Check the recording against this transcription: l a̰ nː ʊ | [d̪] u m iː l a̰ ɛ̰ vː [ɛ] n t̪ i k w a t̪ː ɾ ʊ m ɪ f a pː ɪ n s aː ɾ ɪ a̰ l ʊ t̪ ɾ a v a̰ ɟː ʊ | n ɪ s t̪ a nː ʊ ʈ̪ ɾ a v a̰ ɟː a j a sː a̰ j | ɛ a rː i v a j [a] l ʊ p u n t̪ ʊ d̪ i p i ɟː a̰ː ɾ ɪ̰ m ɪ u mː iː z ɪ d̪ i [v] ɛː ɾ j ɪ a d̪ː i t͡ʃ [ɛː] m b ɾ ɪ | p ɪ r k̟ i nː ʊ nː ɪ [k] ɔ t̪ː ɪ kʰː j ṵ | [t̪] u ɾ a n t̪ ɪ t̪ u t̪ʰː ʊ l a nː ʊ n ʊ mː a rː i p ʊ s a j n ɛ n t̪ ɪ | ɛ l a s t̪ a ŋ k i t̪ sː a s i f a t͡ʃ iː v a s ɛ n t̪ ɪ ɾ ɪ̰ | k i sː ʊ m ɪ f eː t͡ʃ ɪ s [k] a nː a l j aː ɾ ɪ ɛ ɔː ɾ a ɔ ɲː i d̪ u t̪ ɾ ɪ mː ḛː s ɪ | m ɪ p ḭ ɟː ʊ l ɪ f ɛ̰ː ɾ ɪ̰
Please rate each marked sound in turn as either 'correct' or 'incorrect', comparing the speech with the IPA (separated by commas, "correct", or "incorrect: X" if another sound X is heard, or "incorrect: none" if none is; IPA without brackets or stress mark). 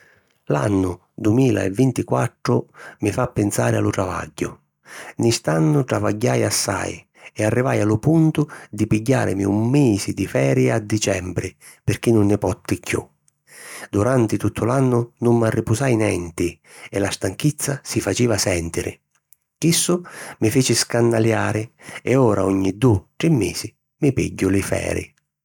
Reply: correct, incorrect: i, correct, incorrect: f, incorrect: ɛ, incorrect: p, incorrect: d̪, correct